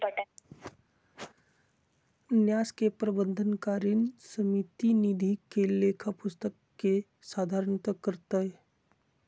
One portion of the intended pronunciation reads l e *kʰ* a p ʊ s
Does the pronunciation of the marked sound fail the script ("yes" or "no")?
no